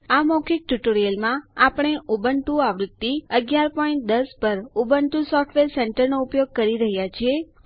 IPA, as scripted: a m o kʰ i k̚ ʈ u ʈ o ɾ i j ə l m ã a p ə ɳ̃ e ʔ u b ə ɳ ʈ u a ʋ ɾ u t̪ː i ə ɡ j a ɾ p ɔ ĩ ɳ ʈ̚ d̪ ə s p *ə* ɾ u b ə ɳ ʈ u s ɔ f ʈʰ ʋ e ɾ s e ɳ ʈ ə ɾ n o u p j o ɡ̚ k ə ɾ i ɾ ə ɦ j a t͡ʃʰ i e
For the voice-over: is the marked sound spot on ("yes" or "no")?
yes